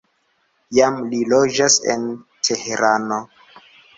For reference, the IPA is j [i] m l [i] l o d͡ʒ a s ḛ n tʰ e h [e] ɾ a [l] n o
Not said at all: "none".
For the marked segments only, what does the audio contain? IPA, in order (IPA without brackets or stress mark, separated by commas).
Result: a, i, e, none